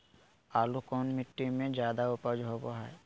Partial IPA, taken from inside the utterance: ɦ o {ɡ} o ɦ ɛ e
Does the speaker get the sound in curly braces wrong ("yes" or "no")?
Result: yes